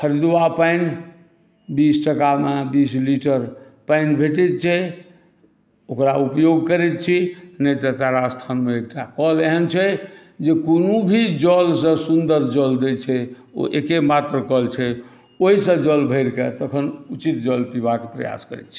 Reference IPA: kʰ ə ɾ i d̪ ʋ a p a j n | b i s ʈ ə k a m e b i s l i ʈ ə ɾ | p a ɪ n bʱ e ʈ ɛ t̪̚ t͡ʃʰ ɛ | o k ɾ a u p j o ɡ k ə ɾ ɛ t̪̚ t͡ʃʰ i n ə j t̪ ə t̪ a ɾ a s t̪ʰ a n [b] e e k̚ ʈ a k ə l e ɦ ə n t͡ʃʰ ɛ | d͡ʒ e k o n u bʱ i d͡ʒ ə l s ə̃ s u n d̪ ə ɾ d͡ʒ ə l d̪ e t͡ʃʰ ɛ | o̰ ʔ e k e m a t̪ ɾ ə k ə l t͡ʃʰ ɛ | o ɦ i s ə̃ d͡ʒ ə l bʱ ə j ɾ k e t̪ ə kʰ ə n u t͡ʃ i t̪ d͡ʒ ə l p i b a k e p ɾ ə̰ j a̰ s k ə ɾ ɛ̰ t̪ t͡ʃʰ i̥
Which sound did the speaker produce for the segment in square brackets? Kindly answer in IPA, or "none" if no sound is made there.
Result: m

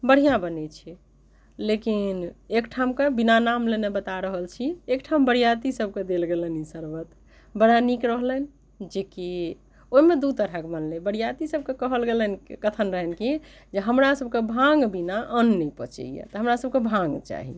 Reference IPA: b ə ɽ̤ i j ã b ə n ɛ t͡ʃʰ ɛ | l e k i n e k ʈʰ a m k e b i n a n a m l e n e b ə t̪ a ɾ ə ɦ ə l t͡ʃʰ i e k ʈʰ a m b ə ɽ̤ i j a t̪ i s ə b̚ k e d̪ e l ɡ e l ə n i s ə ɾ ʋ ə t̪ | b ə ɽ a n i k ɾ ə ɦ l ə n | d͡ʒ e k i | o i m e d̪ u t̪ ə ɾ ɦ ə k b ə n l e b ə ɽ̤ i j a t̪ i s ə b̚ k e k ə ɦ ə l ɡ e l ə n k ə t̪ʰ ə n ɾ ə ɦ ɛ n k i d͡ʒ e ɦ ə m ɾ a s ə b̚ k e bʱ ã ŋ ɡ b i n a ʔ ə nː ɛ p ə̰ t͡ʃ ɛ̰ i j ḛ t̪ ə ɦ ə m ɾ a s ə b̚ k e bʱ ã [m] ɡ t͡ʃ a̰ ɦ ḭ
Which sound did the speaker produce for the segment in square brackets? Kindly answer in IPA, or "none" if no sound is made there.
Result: ŋ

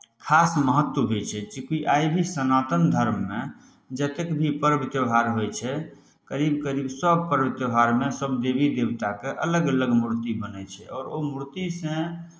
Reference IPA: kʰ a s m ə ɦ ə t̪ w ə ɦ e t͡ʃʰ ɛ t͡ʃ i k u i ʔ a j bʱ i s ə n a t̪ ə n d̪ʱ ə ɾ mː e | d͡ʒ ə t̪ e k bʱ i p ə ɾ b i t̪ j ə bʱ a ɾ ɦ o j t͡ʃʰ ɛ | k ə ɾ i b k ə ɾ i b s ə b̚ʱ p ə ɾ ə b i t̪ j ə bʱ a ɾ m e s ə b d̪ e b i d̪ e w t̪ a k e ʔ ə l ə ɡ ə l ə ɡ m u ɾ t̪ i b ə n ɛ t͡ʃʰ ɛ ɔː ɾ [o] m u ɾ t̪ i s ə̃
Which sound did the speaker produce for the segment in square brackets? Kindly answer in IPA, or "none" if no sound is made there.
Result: o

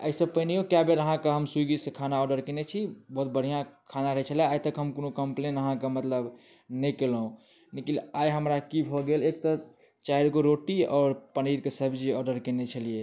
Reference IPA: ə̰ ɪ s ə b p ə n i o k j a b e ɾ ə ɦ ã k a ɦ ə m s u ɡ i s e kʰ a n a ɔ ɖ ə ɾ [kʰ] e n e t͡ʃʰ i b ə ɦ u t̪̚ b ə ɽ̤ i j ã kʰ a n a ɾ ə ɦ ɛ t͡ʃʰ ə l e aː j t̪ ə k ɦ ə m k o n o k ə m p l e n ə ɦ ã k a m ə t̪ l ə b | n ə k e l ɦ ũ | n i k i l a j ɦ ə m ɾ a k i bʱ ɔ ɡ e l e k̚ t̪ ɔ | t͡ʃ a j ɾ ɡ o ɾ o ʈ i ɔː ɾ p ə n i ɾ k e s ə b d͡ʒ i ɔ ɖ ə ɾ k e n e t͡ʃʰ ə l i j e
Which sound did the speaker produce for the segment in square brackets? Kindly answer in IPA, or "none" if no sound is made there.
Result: k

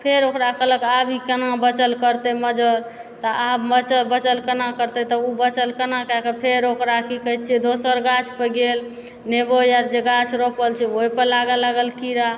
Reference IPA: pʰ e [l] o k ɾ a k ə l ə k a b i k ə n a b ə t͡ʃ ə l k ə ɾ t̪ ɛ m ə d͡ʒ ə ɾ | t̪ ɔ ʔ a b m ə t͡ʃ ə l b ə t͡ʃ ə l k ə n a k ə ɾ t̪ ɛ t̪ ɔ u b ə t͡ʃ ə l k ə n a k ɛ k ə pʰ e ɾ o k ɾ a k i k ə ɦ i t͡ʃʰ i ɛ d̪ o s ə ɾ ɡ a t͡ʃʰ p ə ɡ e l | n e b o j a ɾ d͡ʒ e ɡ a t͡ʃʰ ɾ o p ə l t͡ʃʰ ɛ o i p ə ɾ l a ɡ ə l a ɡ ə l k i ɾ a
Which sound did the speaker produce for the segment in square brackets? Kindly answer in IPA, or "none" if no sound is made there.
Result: ɾ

